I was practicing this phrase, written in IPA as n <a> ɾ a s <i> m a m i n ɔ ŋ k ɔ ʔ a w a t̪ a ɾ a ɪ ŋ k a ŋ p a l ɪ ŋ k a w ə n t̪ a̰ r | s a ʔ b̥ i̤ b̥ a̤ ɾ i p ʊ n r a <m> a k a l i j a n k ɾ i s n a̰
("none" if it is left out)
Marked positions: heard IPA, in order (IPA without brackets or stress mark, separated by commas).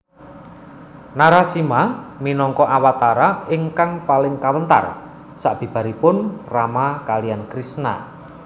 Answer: a, i, m